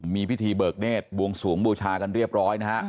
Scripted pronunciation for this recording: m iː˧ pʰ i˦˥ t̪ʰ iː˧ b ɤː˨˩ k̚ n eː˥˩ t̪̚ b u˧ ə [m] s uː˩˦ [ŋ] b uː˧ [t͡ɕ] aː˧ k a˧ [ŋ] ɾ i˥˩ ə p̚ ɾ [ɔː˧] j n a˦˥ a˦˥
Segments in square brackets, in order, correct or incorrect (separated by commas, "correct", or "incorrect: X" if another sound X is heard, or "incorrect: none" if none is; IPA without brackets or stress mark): incorrect: ŋ, correct, incorrect: t͡ɕʰ, incorrect: n, incorrect: ɔː˦˥